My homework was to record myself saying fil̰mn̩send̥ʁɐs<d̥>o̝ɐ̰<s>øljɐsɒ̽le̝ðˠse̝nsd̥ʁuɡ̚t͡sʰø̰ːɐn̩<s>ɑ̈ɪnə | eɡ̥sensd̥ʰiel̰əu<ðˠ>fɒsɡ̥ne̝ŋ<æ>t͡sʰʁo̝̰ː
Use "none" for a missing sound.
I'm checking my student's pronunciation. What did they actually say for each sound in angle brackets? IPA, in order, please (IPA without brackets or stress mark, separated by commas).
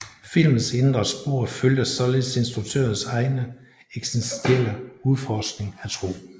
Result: b̥, f, s, ðˠ, æ